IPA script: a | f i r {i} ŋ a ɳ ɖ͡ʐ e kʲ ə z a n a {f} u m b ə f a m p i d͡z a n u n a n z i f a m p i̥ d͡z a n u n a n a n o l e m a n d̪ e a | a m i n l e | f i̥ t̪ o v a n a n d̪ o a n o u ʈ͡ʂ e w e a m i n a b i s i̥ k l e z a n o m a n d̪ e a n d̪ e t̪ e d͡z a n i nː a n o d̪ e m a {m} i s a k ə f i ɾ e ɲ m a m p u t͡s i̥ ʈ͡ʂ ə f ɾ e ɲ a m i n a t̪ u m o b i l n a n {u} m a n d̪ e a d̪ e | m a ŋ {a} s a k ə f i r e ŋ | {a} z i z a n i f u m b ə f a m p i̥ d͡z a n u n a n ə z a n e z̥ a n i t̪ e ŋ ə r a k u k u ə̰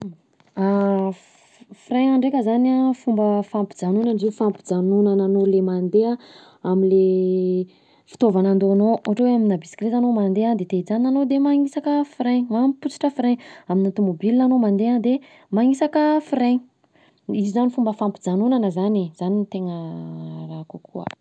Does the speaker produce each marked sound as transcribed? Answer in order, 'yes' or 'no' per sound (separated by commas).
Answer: no, yes, no, no, no, no